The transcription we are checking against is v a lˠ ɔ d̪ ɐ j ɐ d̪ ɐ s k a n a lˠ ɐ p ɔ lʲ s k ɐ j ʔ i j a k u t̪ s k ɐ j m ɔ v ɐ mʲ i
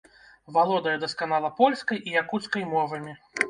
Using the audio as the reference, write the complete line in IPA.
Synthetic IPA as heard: v a lˠ ɔ d̪ ɐ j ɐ d̪ ɐ s k a n a lˠ ɐ p ɔ lʲ s k ɐ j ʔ i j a k u t̪ s k ɐ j m ɔ v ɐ mʲ i